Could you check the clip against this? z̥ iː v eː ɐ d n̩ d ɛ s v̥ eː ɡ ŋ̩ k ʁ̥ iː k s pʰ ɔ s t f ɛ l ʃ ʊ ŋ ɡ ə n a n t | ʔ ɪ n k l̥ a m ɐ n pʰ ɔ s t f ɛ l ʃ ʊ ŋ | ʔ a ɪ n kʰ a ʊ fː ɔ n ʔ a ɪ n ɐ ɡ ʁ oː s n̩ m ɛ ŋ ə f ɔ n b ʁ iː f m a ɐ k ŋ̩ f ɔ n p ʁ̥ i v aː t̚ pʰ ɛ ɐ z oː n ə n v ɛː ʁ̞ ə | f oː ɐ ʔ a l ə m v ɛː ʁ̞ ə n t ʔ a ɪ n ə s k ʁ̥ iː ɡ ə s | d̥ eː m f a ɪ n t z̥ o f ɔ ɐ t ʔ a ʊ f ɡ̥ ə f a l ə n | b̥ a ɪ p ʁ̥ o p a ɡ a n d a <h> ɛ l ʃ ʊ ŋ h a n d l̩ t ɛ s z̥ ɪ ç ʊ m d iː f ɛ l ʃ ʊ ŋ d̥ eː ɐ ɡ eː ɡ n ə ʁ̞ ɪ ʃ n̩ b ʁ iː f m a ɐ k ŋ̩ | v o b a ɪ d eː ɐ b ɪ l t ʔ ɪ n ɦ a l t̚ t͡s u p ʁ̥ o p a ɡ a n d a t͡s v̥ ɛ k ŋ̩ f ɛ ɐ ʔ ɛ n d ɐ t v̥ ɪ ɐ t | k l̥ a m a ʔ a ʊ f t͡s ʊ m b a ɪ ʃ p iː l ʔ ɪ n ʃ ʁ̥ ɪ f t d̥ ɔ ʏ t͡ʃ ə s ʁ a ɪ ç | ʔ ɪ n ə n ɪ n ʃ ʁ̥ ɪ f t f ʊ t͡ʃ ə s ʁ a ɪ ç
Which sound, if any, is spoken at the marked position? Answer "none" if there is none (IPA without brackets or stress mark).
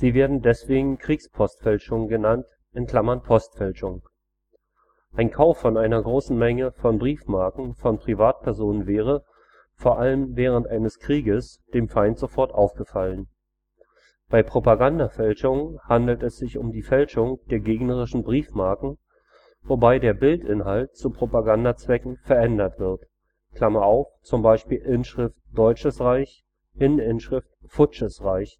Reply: f